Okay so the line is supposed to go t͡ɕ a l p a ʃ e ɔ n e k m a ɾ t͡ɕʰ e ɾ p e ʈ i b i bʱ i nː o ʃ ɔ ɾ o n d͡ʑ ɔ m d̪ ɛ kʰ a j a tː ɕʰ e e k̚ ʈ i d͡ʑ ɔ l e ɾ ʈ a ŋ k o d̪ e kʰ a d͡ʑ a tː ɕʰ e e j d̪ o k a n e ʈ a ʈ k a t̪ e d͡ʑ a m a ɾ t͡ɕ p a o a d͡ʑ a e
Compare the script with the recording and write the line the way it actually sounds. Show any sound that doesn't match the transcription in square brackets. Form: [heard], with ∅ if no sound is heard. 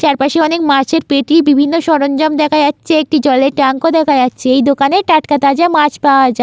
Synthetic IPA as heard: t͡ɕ a [ɾ] p a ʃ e ɔ n e k m a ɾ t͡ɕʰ e ɾ p e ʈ i b i bʱ i nː o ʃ ɔ ɾ o n d͡ʑ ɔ m d̪ ɛ kʰ a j a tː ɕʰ e e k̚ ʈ i d͡ʑ ɔ l e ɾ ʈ a ŋ k o d̪ [ɛ] kʰ a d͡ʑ a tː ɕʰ e e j d̪ o k a n e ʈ a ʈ k a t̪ [a] d͡ʑ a m a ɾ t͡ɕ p a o a d͡ʑ a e